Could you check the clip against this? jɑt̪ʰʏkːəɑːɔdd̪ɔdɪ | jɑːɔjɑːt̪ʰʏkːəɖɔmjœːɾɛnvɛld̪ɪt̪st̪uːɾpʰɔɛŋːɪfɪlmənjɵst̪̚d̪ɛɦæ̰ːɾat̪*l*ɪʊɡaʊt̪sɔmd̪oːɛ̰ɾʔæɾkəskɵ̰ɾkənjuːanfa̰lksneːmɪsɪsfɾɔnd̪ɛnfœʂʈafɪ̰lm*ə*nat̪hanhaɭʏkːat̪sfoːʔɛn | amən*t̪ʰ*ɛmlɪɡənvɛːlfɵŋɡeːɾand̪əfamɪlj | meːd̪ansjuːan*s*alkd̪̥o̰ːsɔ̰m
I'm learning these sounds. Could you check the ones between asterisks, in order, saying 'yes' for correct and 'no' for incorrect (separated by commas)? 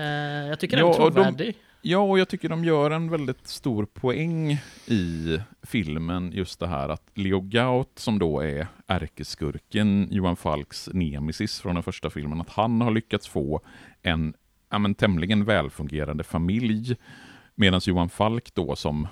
yes, yes, yes, no